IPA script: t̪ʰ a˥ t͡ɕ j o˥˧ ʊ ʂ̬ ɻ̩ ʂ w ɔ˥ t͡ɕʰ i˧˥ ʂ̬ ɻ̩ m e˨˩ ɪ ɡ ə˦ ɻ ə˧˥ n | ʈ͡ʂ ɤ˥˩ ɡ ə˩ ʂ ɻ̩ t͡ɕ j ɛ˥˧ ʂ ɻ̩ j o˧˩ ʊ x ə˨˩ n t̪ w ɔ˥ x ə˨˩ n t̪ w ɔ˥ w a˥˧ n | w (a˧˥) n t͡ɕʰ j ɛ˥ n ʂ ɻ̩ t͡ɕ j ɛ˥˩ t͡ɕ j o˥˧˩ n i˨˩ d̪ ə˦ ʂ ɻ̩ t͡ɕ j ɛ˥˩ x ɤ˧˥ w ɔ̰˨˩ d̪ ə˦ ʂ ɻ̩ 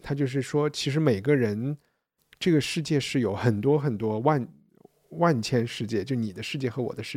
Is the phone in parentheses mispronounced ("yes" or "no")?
yes